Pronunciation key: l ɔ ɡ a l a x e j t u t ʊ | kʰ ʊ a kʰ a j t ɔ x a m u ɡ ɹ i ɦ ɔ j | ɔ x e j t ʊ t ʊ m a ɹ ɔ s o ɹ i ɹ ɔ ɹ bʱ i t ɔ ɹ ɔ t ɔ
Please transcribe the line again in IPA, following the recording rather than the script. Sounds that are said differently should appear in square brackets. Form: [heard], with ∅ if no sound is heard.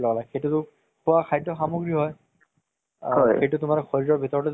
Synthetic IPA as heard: l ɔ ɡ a l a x e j t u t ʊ | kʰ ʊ a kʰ a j t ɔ x a m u ɡ ɹ i ɦ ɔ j | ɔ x e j t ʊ t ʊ m a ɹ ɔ [x] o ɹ i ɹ ɔ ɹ bʱ i t ɔ ɹ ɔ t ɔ